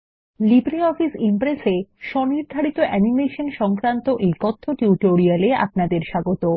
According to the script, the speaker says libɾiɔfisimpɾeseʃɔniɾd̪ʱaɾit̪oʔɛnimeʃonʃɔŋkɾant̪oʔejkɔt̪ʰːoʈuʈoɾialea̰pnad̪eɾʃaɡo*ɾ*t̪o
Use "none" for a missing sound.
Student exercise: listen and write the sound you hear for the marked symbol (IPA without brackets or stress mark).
none